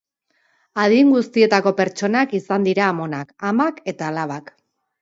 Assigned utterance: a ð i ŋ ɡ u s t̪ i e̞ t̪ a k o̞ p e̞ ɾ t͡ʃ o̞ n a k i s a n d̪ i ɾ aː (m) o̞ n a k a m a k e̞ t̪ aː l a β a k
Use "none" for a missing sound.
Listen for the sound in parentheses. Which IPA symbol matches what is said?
m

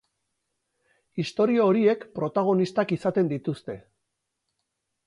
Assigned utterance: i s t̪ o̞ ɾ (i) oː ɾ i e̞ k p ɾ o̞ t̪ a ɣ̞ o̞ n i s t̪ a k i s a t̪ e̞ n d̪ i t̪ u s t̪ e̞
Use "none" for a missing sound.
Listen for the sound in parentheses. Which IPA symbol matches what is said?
i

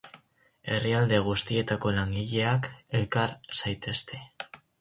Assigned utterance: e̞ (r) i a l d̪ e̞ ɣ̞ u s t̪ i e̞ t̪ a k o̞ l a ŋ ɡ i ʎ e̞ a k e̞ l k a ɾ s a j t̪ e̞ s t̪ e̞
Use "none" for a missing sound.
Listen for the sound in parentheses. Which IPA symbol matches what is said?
r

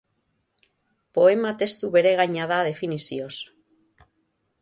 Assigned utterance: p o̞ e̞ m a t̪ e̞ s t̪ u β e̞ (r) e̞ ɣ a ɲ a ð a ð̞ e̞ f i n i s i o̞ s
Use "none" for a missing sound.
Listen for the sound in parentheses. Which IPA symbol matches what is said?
ɾ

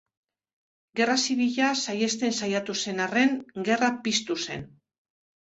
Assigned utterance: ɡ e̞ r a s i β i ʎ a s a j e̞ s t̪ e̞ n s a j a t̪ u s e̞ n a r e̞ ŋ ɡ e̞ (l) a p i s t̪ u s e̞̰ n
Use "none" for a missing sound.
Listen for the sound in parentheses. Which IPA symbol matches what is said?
r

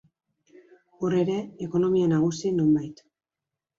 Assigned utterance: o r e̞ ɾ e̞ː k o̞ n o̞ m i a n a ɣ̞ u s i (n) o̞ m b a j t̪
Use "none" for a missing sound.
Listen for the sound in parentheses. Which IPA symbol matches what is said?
n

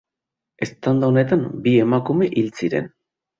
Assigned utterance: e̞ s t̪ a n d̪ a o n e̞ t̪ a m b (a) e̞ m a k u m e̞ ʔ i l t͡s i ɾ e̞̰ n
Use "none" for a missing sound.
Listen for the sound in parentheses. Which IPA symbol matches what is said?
i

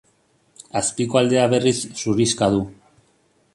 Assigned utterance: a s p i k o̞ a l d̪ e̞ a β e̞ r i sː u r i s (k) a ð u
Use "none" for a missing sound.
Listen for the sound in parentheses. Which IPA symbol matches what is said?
k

